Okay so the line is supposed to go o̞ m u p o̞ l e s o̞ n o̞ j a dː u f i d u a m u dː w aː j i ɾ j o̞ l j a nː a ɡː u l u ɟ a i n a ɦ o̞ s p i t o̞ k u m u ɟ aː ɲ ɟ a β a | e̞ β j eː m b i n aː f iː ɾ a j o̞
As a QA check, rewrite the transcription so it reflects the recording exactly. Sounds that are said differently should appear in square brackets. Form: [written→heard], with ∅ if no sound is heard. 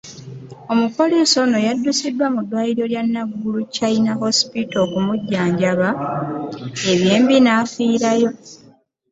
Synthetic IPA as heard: o̞ m u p o̞ l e s o̞ n o̞ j a dː u [f→s] i d [u→w] a m u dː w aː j i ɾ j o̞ l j a nː a ɡː u l u [ɟ→c] a i n a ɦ o̞ s p i t o̞ k u m u [ɟ→ɟː] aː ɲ ɟ a β a | e̞ β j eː m b i n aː f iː ɾ a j o̞